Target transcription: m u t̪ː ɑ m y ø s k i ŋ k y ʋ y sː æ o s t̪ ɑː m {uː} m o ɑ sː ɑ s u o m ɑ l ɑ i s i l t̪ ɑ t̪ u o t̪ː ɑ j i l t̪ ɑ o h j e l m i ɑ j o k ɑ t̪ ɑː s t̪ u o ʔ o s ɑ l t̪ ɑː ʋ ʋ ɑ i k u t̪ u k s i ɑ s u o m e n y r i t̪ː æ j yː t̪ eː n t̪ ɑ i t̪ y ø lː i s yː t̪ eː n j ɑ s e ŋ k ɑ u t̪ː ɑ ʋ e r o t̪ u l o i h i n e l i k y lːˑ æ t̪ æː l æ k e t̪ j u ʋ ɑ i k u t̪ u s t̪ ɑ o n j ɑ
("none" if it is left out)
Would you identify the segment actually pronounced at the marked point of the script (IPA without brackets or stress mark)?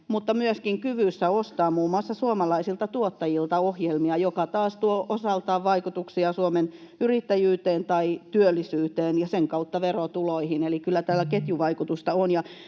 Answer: uː